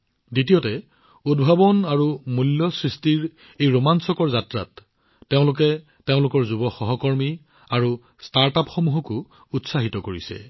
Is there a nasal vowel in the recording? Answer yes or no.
yes